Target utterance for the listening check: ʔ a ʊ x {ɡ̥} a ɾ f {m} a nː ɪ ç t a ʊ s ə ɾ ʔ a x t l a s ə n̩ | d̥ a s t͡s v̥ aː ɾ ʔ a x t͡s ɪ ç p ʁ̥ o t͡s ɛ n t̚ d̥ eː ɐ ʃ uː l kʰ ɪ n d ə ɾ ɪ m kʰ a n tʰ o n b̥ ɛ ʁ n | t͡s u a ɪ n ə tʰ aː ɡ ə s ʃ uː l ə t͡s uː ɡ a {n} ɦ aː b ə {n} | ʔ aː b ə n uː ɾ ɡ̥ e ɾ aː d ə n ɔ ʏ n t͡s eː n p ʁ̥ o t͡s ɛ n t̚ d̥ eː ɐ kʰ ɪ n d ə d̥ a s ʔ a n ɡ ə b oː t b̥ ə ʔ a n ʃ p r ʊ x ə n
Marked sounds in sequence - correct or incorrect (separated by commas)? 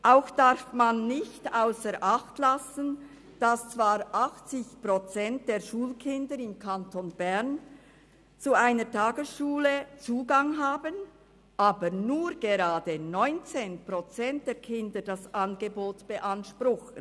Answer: incorrect, correct, incorrect, correct